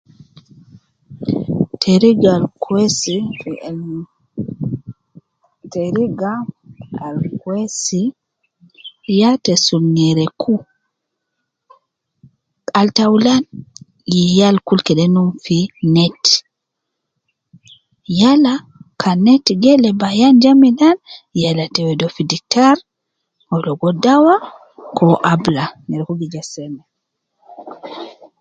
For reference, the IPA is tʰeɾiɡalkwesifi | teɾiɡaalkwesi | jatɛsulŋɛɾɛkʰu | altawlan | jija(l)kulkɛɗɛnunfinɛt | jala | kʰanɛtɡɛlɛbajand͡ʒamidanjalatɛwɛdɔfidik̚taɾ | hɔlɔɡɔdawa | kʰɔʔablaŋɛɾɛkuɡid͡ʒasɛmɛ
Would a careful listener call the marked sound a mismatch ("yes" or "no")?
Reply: no